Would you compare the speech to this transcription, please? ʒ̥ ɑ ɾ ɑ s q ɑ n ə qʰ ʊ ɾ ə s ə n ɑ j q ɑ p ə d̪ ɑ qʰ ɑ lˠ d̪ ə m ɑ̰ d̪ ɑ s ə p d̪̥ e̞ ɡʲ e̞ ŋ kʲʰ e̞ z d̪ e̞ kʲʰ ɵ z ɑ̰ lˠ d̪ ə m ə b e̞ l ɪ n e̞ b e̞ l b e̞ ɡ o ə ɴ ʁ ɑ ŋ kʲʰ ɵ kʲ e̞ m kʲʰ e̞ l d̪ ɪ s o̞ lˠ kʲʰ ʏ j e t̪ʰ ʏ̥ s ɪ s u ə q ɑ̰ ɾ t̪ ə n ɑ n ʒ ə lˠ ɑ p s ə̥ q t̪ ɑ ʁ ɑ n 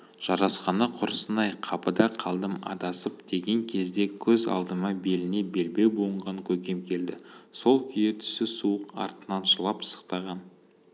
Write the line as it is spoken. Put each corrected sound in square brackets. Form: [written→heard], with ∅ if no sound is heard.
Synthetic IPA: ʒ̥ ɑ ɾ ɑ s q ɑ n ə qʰ ʊ ɾ ə s ə n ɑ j [q→qʰ] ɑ p ə d̪ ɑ qʰ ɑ lˠ d̪ ə m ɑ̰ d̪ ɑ s ə p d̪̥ e̞ ɡʲ e̞ ŋ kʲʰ e̞ z d̪ e̞ kʲʰ ɵ z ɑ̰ lˠ d̪ ə m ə b e̞ l ɪ n e̞ b e̞ l b e̞ [ɡ→b] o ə ɴ ʁ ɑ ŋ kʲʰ ɵ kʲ e̞ m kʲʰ e̞ l d̪ ɪ s o̞ lˠ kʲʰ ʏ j e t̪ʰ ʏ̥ s ɪ s u ə q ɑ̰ ɾ t̪ ə n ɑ n ʒ ə lˠ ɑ p s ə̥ q t̪ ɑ ʁ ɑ n